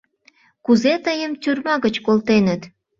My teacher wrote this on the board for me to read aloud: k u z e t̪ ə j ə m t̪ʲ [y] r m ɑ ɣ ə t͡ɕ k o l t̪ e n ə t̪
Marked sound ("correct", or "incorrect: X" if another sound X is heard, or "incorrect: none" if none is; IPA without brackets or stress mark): correct